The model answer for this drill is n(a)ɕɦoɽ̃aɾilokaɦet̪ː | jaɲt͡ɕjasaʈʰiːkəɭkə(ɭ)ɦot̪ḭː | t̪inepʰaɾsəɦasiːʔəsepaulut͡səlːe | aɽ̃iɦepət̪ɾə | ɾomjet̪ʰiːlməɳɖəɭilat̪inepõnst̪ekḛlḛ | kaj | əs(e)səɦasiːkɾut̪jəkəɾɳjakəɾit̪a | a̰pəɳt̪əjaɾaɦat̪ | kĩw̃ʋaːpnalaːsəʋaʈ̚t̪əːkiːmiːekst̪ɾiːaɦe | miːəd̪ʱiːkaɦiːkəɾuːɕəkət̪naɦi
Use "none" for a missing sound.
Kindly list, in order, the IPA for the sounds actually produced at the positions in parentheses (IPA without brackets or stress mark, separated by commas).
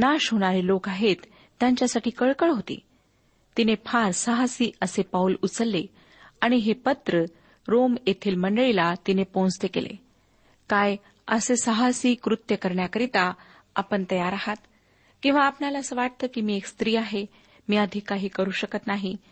a, ɭ, e